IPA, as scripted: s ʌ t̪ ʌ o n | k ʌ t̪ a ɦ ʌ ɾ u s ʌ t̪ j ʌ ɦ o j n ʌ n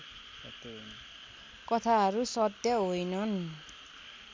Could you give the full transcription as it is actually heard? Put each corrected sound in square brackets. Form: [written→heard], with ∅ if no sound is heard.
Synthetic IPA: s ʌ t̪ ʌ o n | k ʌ [t̪→t̪ʰ] a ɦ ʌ ɾ u s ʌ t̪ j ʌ ɦ o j n ʌ n

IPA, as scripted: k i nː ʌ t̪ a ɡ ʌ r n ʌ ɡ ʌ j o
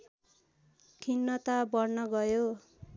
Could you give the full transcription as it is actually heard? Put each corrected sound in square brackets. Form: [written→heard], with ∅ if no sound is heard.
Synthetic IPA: [k→kʰ] i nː ʌ t̪ a [ɡ→b] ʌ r n ʌ ɡ ʌ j o

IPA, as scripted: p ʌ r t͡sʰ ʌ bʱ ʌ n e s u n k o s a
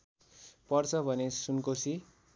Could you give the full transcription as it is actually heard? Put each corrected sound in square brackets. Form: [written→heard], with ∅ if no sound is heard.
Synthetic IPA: p ʌ r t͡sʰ ʌ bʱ ʌ n e s u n k o s [a→i]

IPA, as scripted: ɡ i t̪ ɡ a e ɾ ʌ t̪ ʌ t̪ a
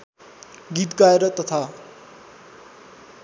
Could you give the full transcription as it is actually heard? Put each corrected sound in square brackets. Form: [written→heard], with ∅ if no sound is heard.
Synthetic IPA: ɡ i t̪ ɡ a e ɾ ʌ t̪ ʌ [t̪→t̪ʰ] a

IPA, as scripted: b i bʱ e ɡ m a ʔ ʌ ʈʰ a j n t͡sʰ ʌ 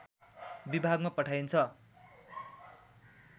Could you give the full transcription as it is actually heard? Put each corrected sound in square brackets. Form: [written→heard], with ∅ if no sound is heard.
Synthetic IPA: b i bʱ [e→a] ɡ m a [ʔ→p] ʌ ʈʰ a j n t͡sʰ ʌ

